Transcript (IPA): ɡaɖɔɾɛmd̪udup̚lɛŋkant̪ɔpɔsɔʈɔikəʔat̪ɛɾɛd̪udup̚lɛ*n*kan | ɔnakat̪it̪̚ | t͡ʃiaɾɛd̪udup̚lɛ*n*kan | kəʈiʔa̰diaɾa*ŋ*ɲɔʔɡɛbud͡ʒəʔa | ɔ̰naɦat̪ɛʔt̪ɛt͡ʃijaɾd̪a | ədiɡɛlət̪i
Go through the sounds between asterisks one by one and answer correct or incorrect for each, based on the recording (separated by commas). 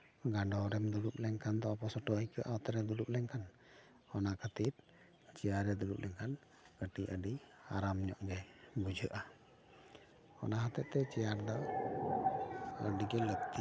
incorrect, incorrect, incorrect